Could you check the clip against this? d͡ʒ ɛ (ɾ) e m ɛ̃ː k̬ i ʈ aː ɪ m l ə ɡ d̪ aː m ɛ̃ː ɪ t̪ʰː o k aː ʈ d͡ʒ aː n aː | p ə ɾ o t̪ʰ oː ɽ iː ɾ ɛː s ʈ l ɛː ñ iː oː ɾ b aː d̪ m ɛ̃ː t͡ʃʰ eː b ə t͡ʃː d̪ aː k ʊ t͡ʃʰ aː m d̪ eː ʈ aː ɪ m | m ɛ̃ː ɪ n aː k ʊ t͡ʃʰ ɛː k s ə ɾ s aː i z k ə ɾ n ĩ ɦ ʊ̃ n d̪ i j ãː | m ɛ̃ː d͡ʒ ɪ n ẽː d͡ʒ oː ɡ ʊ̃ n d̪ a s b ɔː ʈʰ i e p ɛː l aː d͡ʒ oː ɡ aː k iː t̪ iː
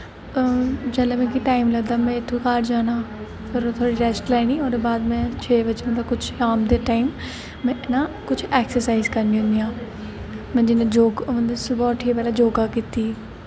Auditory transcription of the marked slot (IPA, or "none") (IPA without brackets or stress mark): l